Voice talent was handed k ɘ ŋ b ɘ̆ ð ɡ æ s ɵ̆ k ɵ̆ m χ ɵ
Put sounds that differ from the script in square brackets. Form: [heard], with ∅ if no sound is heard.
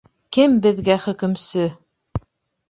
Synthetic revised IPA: k ɘ [m] b ɘ̆ ð ɡ æ [χ] ɵ̆ k ɵ̆ m [s] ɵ

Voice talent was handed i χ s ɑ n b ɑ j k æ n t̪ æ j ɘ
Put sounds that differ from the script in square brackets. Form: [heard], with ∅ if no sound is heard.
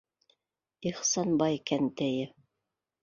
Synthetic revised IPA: i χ s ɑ n b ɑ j k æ n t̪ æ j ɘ

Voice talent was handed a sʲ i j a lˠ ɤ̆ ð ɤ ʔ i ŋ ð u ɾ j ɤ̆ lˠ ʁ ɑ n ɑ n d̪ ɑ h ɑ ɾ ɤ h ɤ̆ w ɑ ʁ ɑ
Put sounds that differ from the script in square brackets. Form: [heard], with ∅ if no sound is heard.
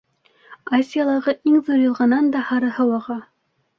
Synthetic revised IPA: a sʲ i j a lˠ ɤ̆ [ʁ] ɤ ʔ i ŋ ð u ɾ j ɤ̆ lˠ ʁ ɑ n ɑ n d̪ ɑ h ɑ ɾ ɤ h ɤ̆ w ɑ ʁ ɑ

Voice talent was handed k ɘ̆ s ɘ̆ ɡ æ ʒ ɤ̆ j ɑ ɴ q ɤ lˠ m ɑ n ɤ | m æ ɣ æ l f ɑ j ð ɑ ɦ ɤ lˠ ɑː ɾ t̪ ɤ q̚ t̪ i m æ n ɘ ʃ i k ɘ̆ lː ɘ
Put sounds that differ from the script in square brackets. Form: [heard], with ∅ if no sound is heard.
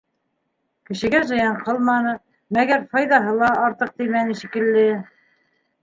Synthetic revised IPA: k ɘ̆ [ʃ] ɘ̆ ɡ æ ʒ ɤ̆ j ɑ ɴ q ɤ lˠ m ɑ n ɤ | m æ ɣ æ [ɾ] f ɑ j ð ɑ ɦ ɤ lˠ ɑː ɾ t̪ ɤ q̚ t̪ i m æ n ɘ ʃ i k ɘ̆ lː ɘ

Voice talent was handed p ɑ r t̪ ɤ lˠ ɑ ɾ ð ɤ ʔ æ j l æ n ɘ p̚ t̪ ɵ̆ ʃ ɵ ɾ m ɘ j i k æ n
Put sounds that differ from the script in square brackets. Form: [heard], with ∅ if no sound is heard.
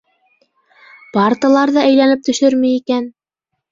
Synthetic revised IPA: p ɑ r t̪ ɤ lˠ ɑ ɾ ð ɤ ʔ æ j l æ n ɘ p̚ t̪ ɵ̆ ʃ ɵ ɾ m ɘ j i k æ n

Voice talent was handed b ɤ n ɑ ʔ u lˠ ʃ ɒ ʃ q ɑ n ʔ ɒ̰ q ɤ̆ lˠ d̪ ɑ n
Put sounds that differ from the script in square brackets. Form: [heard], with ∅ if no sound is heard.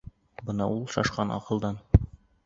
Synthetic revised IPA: b ɤ n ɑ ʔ u lˠ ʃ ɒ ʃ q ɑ n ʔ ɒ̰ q ɤ̆ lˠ d̪ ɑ n

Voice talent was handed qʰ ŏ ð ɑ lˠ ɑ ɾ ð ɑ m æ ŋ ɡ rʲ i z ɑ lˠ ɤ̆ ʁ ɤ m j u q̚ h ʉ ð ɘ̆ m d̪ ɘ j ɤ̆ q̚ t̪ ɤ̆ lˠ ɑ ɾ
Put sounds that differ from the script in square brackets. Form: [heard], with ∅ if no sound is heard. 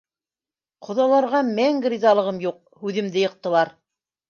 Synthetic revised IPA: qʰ ŏ ð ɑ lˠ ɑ ɾ [ʁ] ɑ m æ ŋ ɡ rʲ i z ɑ lˠ ɤ̆ ʁ ɤ m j u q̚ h ʉ ð ɘ̆ m d̪ ɘ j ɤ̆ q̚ t̪ ɤ̆ lˠ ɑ ɾ

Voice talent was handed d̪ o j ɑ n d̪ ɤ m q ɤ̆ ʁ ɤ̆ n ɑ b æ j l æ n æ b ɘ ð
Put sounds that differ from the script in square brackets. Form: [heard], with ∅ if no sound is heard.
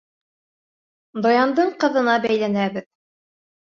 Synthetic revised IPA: d̪ o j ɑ n d̪ ɤ [ɴ] q ɤ̆ [ð] ɤ̆ n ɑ b æ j l æ n æ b ɘ ð

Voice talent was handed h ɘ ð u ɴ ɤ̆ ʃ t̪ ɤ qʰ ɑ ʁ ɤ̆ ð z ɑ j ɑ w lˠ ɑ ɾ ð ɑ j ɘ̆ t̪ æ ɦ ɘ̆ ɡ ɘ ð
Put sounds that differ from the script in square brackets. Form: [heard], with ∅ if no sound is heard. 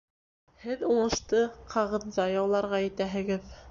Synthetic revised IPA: h ɘ ð u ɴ ɤ̆ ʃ t̪ ɤ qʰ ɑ ʁ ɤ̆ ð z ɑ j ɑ w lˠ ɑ ɾ [ʁ] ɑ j ɘ̆ t̪ æ ɦ ɘ̆ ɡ ɘ ð

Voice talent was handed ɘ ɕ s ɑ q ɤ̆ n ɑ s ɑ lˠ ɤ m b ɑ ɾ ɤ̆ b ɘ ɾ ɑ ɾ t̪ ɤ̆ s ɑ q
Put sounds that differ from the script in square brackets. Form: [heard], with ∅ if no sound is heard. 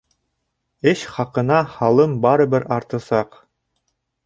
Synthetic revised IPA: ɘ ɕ [χ] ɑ q ɤ̆ n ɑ [h] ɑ lˠ ɤ m b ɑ ɾ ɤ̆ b ɘ ɾ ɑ ɾ t̪ ɤ̆ s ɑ q

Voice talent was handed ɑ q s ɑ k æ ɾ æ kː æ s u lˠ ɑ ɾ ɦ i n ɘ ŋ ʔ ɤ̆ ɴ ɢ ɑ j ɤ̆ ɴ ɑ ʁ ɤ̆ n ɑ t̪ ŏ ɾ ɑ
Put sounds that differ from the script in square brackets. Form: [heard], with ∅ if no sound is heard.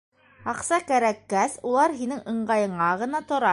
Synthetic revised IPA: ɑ q s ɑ k æ ɾ æ kː æ s u lˠ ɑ ɾ ɦ i n ɘ ŋ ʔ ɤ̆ ɴ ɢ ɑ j ɤ̆ ɴ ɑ ʁ ɤ̆ n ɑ t̪ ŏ ɾ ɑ

